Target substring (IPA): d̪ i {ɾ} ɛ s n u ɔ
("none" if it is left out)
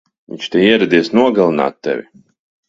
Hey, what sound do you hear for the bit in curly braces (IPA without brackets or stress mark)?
none